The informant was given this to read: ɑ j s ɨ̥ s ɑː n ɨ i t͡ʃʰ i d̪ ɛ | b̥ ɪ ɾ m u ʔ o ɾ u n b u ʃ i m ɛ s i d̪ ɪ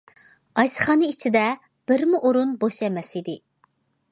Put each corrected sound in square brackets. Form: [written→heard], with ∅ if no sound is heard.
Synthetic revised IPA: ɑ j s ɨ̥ [s→χ] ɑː n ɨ i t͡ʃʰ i d̪ ɛ | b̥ ɪ ɾ m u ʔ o ɾ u n b [u→o] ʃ [i→ɛ] m ɛ s i d̪ ɪ